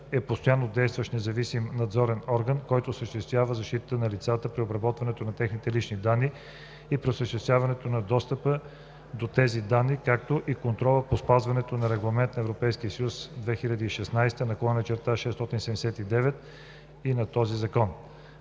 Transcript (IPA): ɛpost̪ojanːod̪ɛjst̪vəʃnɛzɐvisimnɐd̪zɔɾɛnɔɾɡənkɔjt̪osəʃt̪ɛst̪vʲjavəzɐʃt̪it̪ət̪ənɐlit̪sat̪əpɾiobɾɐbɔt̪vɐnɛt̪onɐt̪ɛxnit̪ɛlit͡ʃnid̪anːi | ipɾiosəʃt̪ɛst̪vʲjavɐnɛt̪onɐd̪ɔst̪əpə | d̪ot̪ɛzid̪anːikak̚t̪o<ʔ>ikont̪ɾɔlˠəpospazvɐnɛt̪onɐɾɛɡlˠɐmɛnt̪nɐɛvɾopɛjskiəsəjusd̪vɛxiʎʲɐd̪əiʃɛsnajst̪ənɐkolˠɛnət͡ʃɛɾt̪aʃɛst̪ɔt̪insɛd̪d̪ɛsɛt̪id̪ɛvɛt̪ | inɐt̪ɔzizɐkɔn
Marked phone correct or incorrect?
correct